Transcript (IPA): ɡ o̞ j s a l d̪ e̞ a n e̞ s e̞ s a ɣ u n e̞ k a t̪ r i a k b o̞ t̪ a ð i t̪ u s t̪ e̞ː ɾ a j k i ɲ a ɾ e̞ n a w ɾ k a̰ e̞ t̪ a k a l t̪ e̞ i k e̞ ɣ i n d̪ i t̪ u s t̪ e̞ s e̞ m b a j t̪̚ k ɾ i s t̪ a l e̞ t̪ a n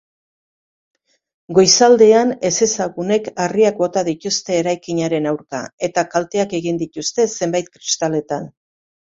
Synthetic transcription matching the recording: ɡ o̞ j s a l d̪ e̞ a n e̞ s e̞ s a ɣ u n e̞ k a r i a k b o̞ t̪ a ð i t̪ u s t̪ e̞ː ɾ a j k i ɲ a ɾ e̞ n a w ɾ k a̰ e̞ t̪ a k a l t̪ e̞ a k e̞ ɣ i n d̪ i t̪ u s t̪ e̞ s e̞ m b a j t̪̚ k ɾ i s t̪ a l e̞ t̪ a n

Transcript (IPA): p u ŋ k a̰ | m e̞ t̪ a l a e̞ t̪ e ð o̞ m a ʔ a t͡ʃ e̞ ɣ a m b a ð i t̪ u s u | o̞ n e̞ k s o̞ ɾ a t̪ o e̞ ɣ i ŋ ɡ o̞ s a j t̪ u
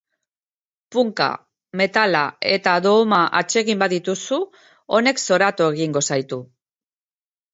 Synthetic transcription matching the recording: p u ŋ k a̰ | m e̞ t̪ a l a e̞ t̪ a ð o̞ m a ʔ a t͡ʃ e̞ ɣ i m b a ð i t̪ u s u | o̞ n e̞ k s o̞ ɾ a t̪ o e̞ ɣ i ŋ ɡ o̞ s a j t̪ u

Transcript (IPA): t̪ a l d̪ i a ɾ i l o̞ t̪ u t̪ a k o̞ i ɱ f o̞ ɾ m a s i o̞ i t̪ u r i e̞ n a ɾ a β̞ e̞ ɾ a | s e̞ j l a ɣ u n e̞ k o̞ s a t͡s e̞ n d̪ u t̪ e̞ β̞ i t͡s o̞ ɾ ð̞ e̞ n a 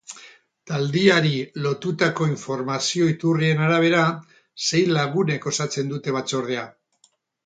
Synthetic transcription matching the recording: t̪ a l d̪ i a ɾ i l o̞ t̪ u t̪ a k o̞ i ɱ f o̞ ɾ m a s i o̞ i t̪ u r i e̞ n a ɾ a β̞ e̞ ɾ a | s e̞ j l a ɣ u n e̞ k o̞ s a t͡s e̞ n d̪ u t̪ e̞ β̞ a t͡s o̞ ɾ ð̞ e̞ a

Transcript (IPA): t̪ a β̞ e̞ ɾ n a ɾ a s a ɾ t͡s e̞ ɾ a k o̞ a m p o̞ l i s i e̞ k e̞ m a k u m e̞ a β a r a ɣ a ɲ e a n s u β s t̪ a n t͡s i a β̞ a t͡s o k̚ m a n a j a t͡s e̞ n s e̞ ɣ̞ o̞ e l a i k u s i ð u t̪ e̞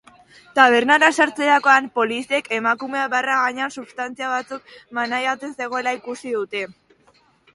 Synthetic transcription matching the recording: t̪ a β̞ e̞ ɾ n a ɾ a s a ɾ t͡s e̞ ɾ a k o̞ a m p o̞ l i s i e̞ k e̞ m a k u m e̞ a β a r a ɣ a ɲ e a n s u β s t̪ a n t͡s i a β̞ a t͡s u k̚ m a n a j a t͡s e̞ n s e̞ ɣ̞ o̞ e l a i k u s i ð u t̪ e̞

